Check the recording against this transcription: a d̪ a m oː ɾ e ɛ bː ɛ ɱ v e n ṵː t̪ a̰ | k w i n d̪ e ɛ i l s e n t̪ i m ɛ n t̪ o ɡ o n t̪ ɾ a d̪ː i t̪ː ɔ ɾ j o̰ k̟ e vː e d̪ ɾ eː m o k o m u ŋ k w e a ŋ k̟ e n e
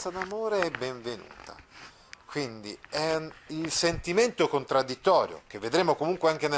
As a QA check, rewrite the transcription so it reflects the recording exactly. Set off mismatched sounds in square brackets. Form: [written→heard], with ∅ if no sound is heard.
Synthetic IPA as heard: a d̪ a m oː ɾ e ɛ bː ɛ ɱ v e n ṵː t̪ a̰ | k w i n d̪ [e→i] ɛ i l s e n t̪ i m [ɛ→e] n t̪ o [ɡ→k] o n t̪ ɾ a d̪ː i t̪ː [ɔ→ɔː] ɾ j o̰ k̟ e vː e d̪ ɾ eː m o k o m u ŋ k w e a ŋ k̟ e n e